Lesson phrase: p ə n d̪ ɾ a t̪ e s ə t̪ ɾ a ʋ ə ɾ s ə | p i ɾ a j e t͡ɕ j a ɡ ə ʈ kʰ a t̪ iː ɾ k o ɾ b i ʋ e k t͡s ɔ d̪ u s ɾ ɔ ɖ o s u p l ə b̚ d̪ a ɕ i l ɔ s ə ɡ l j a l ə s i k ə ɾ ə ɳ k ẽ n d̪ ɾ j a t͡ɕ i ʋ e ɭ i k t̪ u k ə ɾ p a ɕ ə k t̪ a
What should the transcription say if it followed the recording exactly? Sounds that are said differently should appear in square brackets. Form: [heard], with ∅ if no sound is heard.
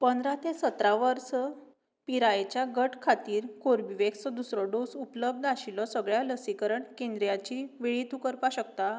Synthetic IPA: p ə n d̪ ɾ a t̪ e s ə t̪ ɾ a ʋ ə ɾ s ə | p i ɾ a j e t͡ɕ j a ɡ ə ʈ kʰ a t̪ iː ɾ k o ɾ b i ʋ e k t͡s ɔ d̪ u s ɾ ɔ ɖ o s u p l ə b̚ d̪ a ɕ i l ɔ s ə ɡ [ɭ] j a l ə s i k ə ɾ ə ɳ k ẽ n d̪ ɾ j a t͡ɕ i ʋ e ɭ i [∅] t̪ u k ə ɾ p a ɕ ə k t̪ a